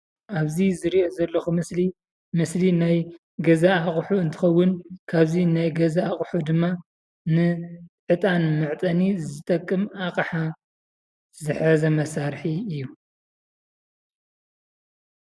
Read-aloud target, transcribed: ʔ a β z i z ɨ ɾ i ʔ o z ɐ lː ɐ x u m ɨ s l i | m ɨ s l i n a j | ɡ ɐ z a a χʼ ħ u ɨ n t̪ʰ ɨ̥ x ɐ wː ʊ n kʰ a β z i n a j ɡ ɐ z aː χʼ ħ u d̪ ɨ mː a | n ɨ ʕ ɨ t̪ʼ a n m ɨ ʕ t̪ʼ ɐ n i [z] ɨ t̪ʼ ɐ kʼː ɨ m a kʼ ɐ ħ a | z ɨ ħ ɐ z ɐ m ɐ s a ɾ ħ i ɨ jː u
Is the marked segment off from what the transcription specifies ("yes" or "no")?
no